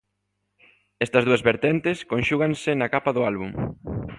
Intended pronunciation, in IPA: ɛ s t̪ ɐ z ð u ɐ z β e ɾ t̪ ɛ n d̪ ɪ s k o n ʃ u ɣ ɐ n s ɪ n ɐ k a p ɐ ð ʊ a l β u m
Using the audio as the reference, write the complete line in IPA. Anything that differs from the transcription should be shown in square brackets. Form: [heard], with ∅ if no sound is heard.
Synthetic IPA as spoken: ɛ s t̪ ɐ z ð u ɐ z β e ɾ t̪ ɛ n [t̪] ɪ s k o n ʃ u ɣ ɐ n s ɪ n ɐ k a p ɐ ð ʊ a l β u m